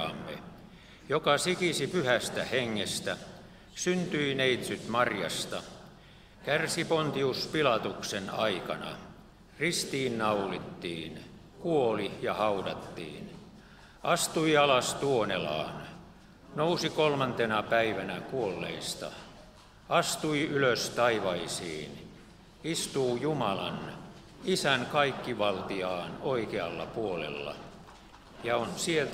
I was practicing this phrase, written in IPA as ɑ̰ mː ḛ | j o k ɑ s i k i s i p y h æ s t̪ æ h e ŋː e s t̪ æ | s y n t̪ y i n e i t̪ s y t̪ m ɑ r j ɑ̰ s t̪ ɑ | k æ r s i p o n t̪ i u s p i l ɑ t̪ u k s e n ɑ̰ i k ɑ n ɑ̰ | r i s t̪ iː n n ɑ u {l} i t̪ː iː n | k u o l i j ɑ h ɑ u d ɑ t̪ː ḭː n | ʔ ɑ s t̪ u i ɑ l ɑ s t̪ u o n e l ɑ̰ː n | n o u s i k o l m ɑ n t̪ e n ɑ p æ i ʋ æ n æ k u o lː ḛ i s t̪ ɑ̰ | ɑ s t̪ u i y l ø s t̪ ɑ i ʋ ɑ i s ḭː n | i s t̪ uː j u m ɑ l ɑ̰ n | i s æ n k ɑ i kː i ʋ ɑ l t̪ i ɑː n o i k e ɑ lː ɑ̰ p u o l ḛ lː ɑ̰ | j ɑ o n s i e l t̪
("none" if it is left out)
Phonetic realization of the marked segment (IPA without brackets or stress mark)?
l